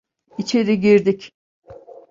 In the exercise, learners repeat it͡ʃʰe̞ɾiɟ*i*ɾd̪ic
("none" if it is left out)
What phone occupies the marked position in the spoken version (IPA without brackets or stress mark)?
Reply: i